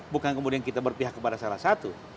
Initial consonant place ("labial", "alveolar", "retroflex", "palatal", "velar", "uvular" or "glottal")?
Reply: labial